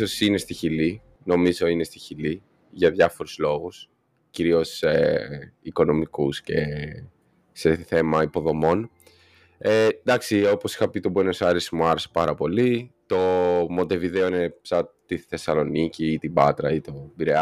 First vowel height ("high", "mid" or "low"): mid